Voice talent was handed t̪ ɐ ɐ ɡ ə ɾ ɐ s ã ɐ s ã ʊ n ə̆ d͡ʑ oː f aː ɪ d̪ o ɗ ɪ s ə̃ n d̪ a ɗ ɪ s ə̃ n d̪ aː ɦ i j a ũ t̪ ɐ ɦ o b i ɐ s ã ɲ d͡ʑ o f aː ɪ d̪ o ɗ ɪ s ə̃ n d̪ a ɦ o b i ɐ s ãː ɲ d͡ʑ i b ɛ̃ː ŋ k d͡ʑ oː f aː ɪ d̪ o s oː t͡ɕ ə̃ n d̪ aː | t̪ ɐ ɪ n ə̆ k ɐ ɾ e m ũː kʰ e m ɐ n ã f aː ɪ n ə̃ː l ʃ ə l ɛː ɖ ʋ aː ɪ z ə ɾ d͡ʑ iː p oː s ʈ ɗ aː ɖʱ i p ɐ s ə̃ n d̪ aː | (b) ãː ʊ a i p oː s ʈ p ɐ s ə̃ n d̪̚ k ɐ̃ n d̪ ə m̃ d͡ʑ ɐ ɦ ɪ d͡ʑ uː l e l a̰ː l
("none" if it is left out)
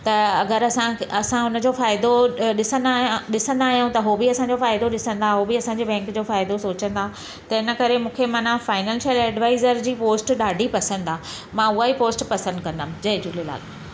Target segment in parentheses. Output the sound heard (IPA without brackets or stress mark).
m